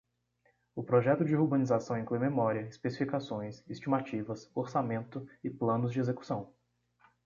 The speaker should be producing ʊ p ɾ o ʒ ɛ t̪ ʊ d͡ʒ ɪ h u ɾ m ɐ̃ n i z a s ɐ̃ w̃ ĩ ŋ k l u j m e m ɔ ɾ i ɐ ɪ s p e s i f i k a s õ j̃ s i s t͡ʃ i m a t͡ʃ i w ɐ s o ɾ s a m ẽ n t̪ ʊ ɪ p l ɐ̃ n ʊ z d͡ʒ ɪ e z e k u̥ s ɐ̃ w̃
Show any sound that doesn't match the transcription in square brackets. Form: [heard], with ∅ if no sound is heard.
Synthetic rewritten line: ʊ p ɾ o ʒ ɛ t̪ ʊ d͡ʒ ɪ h u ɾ [b] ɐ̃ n i z a s ɐ̃ w̃ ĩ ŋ k l u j m e m ɔ ɾ i ɐ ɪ s p e s i f i k a s õ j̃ s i s t͡ʃ i m a t͡ʃ i [v] ɐ s o ɾ s a m ẽ n t̪ ʊ ɪ p l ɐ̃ n ʊ z d͡ʒ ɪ e z e k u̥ s ɐ̃ w̃